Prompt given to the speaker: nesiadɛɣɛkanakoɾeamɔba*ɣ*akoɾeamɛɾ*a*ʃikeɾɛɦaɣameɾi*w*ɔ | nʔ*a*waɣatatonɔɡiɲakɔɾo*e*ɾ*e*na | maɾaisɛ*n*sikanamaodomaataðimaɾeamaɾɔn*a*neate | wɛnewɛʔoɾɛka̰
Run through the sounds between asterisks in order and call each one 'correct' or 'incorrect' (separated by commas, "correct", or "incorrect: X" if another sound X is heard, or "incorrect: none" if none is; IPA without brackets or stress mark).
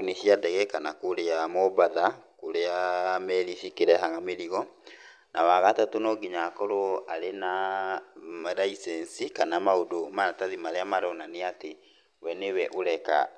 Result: incorrect: ð, incorrect: i, incorrect: ɣ, correct, incorrect: a, correct, correct, correct